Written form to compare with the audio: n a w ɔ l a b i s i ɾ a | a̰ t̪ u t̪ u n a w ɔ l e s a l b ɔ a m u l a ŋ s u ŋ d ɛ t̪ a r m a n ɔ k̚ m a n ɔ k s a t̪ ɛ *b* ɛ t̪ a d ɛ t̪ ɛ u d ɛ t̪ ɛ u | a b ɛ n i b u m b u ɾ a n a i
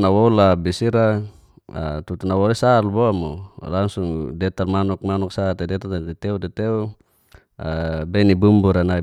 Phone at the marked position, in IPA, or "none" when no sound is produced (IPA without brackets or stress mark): d